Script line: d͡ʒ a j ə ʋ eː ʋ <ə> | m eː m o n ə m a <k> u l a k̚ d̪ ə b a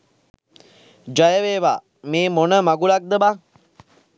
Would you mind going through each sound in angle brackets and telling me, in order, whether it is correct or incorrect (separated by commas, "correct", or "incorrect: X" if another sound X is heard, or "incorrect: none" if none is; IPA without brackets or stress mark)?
incorrect: a, incorrect: ɡ